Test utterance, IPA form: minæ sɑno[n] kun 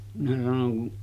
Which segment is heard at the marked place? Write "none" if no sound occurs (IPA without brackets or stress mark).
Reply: ŋ